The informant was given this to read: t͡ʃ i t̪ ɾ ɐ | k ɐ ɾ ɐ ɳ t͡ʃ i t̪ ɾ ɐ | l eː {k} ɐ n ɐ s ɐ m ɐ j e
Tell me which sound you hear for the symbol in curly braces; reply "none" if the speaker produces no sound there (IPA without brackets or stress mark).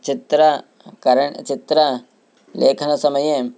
kʰ